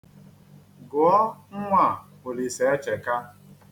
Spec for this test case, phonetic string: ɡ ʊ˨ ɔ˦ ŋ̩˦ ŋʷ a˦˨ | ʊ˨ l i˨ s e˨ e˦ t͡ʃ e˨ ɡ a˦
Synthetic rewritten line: ɡ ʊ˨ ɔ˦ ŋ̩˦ ŋʷ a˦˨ | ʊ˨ l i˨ s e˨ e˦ t͡ʃ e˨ k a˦